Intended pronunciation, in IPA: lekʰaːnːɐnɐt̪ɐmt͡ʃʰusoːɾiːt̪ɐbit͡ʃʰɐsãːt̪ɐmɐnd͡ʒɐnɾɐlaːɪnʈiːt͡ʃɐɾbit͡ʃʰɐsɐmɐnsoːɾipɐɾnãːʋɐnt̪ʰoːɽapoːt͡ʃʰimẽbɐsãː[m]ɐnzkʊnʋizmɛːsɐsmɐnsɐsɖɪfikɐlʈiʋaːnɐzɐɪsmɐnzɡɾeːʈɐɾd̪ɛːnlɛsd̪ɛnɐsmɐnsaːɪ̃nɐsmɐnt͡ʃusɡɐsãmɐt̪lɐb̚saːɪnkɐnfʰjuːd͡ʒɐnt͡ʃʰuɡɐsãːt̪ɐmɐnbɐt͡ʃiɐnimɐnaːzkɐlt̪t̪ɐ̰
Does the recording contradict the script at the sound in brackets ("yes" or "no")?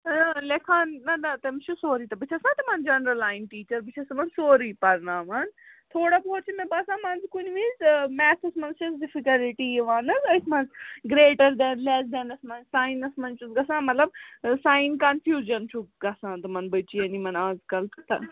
no